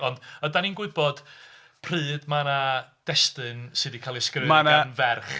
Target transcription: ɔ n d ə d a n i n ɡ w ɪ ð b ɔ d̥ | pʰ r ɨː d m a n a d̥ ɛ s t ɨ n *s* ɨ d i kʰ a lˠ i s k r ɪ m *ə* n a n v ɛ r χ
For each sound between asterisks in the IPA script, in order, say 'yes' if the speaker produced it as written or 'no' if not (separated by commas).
yes, no